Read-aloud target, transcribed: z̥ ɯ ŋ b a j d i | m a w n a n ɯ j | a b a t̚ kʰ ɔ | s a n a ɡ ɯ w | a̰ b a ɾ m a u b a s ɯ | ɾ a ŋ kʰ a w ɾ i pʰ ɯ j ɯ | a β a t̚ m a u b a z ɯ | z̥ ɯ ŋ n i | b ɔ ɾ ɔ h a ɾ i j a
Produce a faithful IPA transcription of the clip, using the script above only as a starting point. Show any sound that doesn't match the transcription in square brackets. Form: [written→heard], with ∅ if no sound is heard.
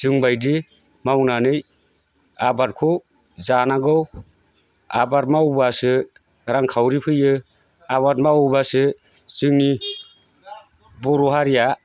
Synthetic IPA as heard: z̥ ɯ ŋ b a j d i | m a w n a n ɯ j | a b a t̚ kʰ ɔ | [s→z] a n a ɡ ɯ w | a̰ b a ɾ m a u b a s ɯ | ɾ a ŋ kʰ a w ɾ i pʰ ɯ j ɯ | a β a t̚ m a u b a [z→s] ɯ | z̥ ɯ ŋ n i | b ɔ ɾ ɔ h a ɾ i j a